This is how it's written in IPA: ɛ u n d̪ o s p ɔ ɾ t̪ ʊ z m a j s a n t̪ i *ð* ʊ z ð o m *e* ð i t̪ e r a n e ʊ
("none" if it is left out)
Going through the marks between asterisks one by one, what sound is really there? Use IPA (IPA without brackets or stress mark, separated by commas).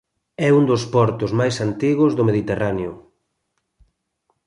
ɣ, e